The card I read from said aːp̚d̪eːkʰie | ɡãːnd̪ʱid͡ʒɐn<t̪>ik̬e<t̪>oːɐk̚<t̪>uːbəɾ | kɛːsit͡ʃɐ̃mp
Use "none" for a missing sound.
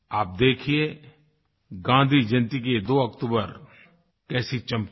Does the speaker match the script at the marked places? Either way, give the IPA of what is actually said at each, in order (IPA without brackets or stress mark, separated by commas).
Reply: t̪, d̪, t̪